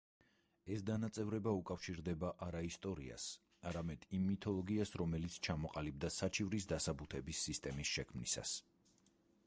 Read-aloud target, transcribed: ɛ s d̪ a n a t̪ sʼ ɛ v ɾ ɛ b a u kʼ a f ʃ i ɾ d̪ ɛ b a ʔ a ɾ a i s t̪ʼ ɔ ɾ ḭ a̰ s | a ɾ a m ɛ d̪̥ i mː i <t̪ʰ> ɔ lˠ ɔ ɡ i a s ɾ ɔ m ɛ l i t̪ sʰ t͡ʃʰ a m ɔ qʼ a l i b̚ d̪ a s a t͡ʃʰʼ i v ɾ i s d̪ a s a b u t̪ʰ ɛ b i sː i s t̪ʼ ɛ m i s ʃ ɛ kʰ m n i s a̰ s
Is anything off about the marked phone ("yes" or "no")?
no